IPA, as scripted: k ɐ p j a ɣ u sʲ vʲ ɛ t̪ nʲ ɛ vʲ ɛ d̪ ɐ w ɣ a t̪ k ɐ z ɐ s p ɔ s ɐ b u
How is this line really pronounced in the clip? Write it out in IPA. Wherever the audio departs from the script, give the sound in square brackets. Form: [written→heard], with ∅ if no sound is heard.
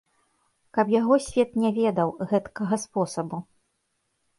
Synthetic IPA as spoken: k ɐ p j a ɣ [u→ɔ] sʲ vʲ ɛ t̪ nʲ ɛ vʲ ɛ d̪ ɐ w ɣ [a→ɛ] t̪ k ɐ [z→ɣ] ɐ s p ɔ s ɐ b u